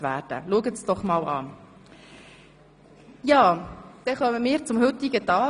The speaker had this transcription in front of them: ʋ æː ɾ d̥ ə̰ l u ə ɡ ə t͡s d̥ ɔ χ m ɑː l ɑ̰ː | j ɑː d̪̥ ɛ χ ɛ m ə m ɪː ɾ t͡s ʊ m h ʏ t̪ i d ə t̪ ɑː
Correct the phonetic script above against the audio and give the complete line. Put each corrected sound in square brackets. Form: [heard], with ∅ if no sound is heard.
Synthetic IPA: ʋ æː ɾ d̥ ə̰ l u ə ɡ ə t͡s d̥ ɔ χ m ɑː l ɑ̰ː | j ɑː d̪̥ ɛ χ [œ] m ə m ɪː ɾ t͡s ʊ m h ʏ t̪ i [ɡ] ə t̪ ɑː